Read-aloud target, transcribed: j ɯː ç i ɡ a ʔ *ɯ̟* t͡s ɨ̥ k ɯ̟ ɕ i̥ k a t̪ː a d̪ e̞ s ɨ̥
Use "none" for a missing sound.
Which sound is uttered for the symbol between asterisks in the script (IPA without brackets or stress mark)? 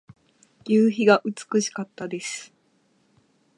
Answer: ɯ̟